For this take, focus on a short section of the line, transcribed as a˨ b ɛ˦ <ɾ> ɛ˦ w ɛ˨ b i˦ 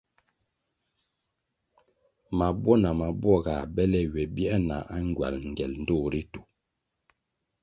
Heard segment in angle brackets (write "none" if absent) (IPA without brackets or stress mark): l